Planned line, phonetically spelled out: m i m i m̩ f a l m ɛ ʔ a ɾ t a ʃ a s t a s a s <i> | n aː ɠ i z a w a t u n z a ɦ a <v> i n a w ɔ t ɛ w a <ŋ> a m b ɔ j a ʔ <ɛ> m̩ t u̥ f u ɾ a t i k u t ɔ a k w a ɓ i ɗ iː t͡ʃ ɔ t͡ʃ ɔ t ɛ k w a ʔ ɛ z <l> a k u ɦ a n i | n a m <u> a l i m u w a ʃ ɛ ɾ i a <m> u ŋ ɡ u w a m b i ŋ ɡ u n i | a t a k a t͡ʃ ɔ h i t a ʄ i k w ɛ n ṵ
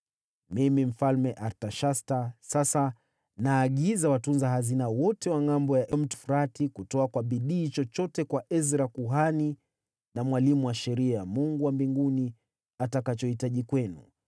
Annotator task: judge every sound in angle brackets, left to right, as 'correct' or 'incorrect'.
incorrect, incorrect, correct, correct, incorrect, incorrect, correct

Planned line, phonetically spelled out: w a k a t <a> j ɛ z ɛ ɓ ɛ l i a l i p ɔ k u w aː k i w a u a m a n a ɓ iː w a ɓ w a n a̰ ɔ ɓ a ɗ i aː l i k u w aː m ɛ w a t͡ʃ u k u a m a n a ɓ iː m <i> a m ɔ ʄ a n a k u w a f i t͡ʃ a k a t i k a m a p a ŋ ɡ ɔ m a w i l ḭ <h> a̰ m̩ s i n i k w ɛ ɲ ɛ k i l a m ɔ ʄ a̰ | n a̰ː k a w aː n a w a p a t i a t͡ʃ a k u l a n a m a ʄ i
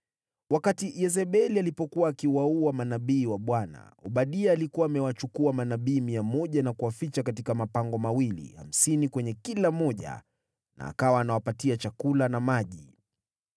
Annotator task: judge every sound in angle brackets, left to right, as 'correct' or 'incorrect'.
incorrect, correct, correct

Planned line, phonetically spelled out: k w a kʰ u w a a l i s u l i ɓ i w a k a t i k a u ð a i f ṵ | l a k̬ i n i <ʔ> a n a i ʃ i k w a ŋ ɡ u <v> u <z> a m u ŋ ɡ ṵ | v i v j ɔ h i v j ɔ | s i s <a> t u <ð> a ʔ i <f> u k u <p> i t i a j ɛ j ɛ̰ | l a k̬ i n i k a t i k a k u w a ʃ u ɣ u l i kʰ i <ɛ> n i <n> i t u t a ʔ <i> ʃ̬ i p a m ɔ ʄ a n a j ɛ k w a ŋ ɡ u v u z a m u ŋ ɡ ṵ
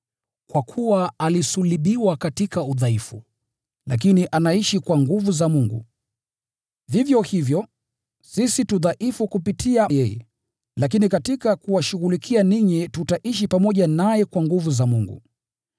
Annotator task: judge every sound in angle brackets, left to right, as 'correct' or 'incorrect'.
correct, correct, correct, incorrect, correct, correct, correct, incorrect, incorrect, correct

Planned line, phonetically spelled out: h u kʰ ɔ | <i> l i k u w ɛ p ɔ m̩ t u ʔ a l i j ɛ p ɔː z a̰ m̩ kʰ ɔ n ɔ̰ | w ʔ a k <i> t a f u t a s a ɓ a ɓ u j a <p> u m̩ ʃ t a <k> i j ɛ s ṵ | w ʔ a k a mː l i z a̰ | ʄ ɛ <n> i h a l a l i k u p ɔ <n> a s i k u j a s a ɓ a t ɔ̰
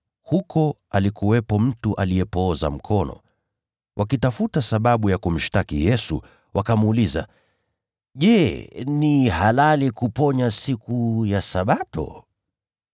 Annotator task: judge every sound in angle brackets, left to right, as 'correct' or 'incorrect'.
incorrect, correct, incorrect, correct, correct, incorrect

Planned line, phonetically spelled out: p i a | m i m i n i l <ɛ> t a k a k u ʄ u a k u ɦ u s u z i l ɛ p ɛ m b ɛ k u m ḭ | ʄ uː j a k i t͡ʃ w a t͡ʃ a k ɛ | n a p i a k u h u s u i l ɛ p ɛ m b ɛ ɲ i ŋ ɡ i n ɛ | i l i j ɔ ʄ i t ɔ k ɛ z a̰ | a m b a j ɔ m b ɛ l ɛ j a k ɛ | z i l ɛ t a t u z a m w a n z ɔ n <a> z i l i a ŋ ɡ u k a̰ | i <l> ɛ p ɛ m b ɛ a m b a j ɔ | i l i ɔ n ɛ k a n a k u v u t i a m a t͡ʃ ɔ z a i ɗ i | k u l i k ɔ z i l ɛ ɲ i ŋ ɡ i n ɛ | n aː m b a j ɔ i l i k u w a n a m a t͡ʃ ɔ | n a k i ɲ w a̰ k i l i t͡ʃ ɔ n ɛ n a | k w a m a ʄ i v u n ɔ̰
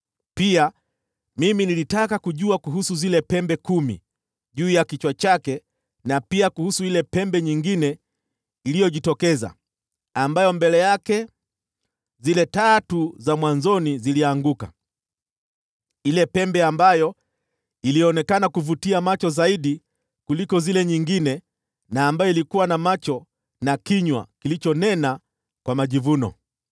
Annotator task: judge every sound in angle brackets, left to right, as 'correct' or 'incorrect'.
incorrect, incorrect, correct

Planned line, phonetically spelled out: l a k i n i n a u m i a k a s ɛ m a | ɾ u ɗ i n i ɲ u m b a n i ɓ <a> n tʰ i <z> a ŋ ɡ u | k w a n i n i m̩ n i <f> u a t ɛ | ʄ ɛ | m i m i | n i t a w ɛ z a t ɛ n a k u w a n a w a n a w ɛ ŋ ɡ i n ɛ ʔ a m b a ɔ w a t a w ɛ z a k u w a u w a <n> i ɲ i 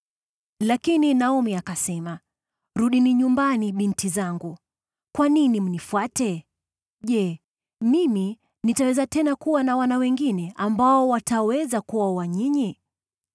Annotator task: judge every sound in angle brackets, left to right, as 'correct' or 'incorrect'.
incorrect, correct, correct, incorrect

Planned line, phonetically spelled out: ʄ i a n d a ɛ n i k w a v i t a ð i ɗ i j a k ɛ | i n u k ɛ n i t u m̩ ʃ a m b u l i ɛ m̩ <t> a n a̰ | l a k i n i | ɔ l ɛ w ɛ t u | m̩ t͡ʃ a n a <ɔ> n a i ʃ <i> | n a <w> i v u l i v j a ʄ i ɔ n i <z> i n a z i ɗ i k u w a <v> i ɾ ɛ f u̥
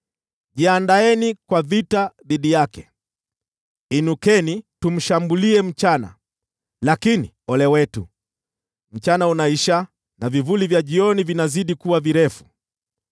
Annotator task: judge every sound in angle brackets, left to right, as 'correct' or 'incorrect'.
incorrect, incorrect, incorrect, incorrect, incorrect, correct

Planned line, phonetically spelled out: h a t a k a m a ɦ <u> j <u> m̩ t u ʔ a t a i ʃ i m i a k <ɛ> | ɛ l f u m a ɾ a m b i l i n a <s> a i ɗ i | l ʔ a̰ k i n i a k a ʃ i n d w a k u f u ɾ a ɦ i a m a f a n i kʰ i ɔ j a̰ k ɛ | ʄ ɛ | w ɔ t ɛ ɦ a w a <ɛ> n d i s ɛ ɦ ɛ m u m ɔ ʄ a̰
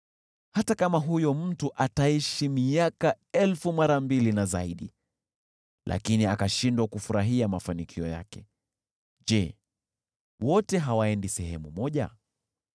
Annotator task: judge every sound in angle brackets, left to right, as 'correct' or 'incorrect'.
correct, incorrect, incorrect, incorrect, correct

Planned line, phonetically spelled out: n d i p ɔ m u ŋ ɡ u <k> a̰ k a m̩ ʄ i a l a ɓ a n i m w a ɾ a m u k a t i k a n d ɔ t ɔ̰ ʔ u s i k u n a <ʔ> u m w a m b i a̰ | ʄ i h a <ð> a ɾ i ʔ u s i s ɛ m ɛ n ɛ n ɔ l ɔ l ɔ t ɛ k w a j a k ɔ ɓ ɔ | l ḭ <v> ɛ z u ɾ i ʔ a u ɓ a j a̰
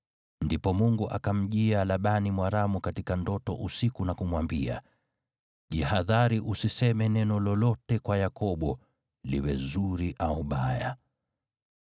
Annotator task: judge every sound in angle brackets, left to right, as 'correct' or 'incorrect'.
incorrect, incorrect, correct, incorrect

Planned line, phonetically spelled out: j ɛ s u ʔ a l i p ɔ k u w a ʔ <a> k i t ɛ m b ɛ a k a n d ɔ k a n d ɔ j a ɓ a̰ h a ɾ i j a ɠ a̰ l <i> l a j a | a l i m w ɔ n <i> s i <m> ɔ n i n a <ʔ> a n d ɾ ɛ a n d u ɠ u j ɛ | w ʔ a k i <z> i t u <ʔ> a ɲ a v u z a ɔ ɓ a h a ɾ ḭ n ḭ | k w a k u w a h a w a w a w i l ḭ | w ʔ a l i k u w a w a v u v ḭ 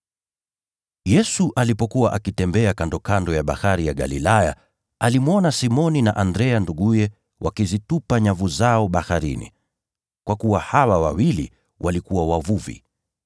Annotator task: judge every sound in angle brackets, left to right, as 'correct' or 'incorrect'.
correct, correct, incorrect, correct, correct, correct, incorrect

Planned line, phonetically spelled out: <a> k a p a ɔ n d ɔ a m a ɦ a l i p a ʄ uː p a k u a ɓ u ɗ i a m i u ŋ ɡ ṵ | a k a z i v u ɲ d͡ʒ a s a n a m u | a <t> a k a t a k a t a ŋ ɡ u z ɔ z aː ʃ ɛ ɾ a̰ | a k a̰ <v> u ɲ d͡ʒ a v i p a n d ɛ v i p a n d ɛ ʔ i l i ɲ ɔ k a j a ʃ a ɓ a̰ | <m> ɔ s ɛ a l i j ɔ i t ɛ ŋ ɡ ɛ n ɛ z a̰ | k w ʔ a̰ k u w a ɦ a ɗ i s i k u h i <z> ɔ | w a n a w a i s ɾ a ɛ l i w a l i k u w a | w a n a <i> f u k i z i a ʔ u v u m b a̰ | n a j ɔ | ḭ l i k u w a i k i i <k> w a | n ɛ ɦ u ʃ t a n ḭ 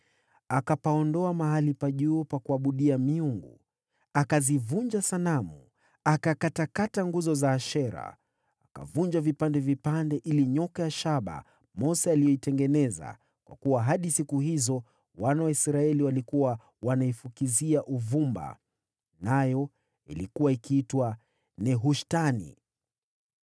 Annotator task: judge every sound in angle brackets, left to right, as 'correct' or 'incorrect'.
correct, incorrect, correct, correct, correct, correct, incorrect

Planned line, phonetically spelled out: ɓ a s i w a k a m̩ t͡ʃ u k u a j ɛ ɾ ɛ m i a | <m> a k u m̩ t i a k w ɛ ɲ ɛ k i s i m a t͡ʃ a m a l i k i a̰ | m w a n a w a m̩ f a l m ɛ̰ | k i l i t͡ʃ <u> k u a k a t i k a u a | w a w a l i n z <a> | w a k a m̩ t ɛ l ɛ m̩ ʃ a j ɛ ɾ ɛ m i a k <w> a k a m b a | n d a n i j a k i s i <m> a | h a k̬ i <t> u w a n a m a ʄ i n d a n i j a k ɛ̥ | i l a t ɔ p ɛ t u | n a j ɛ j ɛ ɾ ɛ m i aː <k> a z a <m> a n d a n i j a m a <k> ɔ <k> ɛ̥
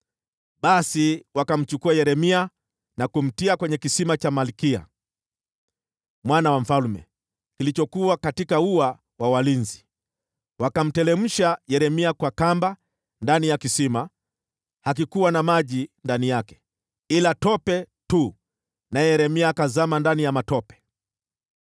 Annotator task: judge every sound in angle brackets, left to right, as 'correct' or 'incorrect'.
incorrect, incorrect, incorrect, correct, correct, incorrect, correct, correct, incorrect, incorrect

